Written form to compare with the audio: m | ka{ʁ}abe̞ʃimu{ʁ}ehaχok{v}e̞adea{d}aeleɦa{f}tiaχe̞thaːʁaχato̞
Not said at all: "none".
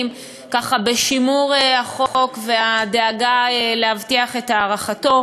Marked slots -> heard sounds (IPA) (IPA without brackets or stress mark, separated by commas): χ, ʁ, v, ɡ, v